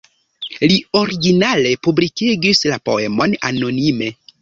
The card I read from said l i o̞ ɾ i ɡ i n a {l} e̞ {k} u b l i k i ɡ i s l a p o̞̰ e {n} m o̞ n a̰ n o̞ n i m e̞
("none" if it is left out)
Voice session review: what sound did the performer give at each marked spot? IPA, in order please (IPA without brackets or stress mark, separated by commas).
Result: l, p, none